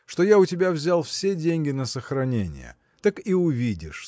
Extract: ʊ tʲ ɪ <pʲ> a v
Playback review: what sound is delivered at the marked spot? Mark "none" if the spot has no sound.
bʲ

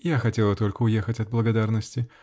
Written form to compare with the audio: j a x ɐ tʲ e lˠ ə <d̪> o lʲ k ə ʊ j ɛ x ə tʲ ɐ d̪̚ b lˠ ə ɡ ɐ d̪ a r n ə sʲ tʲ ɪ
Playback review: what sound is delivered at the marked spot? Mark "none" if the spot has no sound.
t̪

